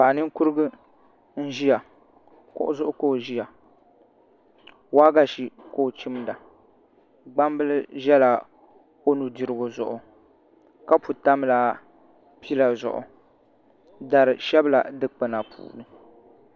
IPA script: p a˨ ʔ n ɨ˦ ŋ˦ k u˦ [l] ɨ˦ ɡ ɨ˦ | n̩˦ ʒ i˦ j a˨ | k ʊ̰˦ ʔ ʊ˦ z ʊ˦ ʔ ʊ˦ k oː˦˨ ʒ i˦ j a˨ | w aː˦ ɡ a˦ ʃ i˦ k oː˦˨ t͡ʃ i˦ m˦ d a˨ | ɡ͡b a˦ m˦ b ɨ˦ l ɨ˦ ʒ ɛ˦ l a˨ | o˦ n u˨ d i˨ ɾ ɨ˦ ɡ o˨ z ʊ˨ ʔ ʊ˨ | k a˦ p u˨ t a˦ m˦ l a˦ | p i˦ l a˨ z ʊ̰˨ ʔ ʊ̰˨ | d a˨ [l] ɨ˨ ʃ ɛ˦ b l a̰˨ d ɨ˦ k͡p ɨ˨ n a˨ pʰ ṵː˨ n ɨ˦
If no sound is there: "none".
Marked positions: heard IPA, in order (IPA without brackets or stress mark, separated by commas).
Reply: ɾ, ɾ